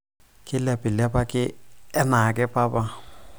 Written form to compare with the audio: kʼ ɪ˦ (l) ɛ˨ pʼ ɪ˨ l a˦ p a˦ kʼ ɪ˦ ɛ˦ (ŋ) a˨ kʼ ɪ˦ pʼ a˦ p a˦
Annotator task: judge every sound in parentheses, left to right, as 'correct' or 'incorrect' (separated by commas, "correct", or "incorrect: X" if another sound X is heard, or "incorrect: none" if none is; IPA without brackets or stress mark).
correct, incorrect: n